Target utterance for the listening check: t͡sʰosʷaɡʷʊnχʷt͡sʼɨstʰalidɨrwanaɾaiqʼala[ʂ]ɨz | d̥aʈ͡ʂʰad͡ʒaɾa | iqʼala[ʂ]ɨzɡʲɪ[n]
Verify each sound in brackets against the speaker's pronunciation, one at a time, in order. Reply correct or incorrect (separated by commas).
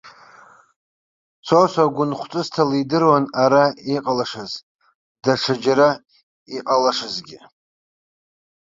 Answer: correct, correct, incorrect